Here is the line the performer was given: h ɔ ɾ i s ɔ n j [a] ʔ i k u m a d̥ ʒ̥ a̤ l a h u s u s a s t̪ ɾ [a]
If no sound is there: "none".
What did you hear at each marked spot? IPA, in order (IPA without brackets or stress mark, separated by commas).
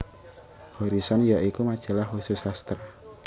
a, a